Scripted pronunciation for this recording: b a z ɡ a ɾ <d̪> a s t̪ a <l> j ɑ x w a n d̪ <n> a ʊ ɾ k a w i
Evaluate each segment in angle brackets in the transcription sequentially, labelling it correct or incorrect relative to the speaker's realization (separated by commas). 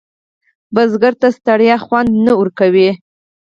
incorrect, incorrect, correct